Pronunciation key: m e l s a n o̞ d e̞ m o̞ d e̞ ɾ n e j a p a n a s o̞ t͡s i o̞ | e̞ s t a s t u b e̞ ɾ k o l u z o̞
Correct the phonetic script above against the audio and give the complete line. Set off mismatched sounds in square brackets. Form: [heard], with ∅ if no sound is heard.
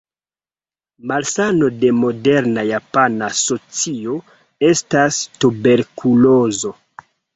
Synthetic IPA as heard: m [a] l s a n o̞ d e̞ m o̞ d e̞ ɾ n [a] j a p a n a s o̞ t͡s i o̞ | e̞ s t a s t u b e̞ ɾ k [u] l [o] z o̞

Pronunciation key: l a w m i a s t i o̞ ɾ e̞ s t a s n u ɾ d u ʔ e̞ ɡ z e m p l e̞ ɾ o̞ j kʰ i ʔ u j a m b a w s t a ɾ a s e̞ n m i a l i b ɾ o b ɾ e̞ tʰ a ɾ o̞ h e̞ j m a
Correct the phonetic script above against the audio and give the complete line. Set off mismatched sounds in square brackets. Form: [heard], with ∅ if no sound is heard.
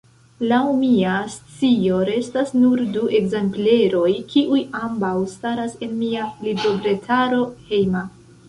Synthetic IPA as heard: l a w m i a s [t͡s] i o̞ ɾ e̞ s t a s n u ɾ d u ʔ e̞ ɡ z e m p l e̞ ɾ o̞ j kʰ i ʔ u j a m b a w s t a ɾ a s e̞ n m i a l i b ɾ o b ɾ e̞ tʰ a ɾ o̞ h e̞ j m a

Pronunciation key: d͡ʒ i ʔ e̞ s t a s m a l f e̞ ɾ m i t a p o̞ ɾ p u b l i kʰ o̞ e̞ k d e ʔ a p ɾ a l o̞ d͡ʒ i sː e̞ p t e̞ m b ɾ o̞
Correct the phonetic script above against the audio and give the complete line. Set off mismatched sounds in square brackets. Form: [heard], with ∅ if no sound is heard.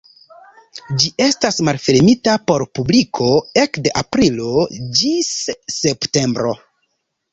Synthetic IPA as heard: d͡ʒ i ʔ e̞ s t a s m a l f e̞ ɾ m i t a p o̞ ɾ p u b l i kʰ o̞ e̞ k d e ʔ a p ɾ [i] l o̞ d͡ʒ i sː e̞ p t e̞ m b ɾ o̞

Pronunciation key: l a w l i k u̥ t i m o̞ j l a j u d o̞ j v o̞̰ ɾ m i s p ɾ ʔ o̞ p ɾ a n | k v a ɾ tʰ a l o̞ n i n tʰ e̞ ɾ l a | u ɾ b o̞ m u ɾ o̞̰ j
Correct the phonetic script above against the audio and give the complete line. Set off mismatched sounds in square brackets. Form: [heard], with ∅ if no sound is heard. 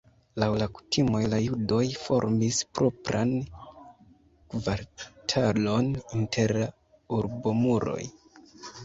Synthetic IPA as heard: l a w l [a] k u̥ t i m o̞ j l a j u d o̞ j [f] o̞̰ ɾ m i s p ɾ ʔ o̞ p ɾ a n | k v a ɾ tʰ a l o̞ n i n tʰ e̞ ɾ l a | u ɾ b o̞ m u ɾ o̞̰ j

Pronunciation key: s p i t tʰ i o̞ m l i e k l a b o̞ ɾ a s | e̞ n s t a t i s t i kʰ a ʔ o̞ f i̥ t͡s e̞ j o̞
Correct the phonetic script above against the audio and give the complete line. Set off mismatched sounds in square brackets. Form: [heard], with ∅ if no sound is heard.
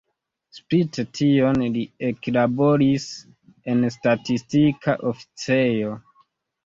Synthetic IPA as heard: s p i t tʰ i o̞ [n] l i e k l a b o̞ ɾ [i] s | e̞ n s t a t i s t i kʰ a ʔ o̞ f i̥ t͡s e̞ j o̞

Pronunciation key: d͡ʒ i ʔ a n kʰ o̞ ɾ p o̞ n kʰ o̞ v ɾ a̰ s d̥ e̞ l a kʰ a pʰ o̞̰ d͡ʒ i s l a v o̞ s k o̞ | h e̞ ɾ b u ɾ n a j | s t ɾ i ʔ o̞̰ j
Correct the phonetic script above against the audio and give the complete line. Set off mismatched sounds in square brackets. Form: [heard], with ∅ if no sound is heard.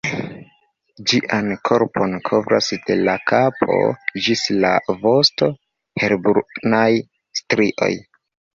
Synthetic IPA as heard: d͡ʒ i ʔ a n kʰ o̞ ɾ p o̞ n kʰ o̞ v ɾ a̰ s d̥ e̞ l a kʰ a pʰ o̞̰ d͡ʒ i s l a v o̞ s [t] o̞ | h e̞ ɾ b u ɾ n a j | s t ɾ i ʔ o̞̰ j

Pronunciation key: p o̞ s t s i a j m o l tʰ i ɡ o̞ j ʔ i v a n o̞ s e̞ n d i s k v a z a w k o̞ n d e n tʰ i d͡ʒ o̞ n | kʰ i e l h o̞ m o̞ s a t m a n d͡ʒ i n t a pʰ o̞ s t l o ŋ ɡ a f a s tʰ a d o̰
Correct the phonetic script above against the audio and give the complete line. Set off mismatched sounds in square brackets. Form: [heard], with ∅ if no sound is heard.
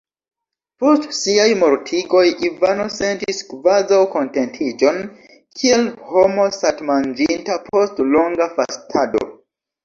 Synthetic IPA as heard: p o̞ s t s i a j m o [ɾ] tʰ i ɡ o̞ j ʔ i v a n o̞ s e̞ n [t] i s k v a z a w k o̞ n [t] e n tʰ i d͡ʒ o̞ n | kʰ i e l h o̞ m o̞ s a t m a n d͡ʒ i n t a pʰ o̞ s t l o ŋ ɡ a f a s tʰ a d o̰

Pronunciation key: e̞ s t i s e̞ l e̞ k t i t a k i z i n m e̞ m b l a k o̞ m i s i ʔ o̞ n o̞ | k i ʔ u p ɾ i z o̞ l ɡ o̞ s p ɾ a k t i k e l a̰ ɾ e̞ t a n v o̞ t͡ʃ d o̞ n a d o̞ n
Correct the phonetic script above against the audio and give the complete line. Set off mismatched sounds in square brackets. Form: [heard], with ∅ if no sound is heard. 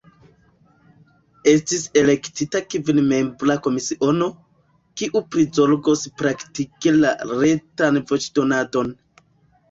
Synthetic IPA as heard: e̞ s t i s e̞ l e̞ k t i t a k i [v] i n m e̞ m b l a k o̞ m i s i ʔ o̞ n o̞ | k i ʔ u p ɾ i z o̞ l ɡ o̞ s p ɾ a k t i k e l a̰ ɾ e̞ t a n v o̞ t͡ʃ d o̞ n a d o̞ n

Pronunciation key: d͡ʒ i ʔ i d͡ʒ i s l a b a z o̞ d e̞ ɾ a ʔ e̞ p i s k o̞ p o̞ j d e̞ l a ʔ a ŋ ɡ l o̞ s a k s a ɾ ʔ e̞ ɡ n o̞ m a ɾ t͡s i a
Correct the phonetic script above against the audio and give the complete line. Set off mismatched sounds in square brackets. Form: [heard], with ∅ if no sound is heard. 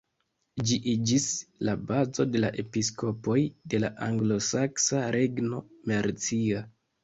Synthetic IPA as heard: d͡ʒ i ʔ i d͡ʒ i s l a b a z o̞ d e̞ [l] a ʔ e̞ p i s k o̞ p o̞ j d e̞ l a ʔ a ŋ ɡ l o̞ s a k s a ɾ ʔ e̞ ɡ n o̞ m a ɾ t͡s i a

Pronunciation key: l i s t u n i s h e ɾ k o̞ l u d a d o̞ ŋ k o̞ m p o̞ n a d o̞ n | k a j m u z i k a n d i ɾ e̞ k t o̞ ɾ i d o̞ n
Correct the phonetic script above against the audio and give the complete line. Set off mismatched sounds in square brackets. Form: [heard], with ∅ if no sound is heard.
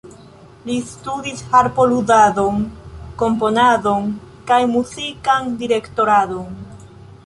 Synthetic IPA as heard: l i s t u [d] i s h [a] ɾ [p] o̞ l u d a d o̞ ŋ k o̞ m p o̞ n a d o̞ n | k a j m u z i k a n d i ɾ e̞ k t o̞ ɾ [a] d o̞ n

